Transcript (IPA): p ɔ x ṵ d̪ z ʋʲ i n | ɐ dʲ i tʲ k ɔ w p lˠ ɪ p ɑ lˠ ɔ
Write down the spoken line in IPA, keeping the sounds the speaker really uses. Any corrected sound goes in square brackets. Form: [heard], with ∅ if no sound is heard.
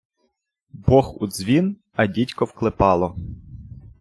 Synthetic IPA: [b] ɔ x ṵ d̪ z ʋʲ i n | ɐ dʲ i tʲ k ɔ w [k] lˠ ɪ p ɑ lˠ ɔ